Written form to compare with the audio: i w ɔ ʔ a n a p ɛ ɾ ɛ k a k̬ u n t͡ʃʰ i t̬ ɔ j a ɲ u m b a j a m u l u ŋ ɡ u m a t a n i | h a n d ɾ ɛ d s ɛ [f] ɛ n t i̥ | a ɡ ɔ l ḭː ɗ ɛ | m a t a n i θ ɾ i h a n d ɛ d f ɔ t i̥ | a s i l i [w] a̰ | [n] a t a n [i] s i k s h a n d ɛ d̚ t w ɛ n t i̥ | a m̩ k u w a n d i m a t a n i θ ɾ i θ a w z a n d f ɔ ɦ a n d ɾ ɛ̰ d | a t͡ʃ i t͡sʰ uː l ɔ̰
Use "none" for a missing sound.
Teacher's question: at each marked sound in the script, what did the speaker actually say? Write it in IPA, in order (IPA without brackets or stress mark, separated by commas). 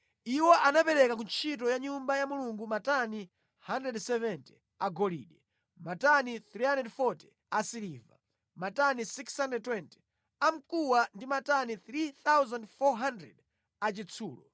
v, v, m, i